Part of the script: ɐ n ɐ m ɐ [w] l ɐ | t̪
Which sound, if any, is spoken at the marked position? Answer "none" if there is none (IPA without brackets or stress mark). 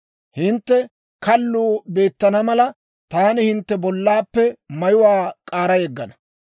none